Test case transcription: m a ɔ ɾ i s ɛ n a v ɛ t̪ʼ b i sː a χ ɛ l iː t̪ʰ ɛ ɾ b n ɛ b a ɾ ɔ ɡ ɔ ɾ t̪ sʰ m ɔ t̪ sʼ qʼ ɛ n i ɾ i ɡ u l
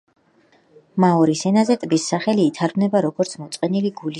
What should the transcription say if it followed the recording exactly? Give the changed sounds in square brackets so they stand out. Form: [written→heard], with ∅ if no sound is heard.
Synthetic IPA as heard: m a ɔ ɾ i s ɛ n a [v→z] ɛ t̪ʼ b i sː a χ ɛ l iː t̪ʰ [ɛ→a] ɾ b n ɛ b a ɾ ɔ ɡ ɔ ɾ t̪ sʰ m ɔ t̪ sʼ qʼ ɛ n i [ɾ→l] i ɡ u l